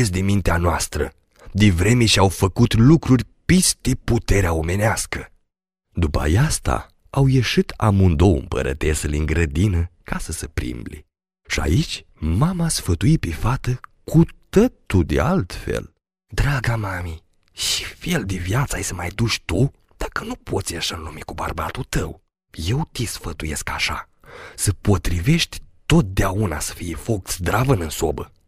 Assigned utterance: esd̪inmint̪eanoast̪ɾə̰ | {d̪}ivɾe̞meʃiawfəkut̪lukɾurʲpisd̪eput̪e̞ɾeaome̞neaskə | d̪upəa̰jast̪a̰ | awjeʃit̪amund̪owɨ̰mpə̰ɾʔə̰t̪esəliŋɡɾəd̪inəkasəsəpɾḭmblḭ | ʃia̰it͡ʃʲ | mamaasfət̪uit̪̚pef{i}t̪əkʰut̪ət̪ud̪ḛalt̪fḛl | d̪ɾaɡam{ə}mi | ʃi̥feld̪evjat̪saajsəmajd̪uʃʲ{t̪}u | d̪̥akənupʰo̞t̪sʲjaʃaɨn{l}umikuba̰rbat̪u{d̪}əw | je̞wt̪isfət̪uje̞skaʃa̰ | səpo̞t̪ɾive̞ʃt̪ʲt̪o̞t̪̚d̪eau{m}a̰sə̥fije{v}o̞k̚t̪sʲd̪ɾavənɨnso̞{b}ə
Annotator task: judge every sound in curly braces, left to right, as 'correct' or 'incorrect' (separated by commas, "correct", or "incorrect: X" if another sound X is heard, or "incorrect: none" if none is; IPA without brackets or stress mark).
correct, incorrect: a, incorrect: a, correct, correct, incorrect: t̪, incorrect: n, incorrect: f, correct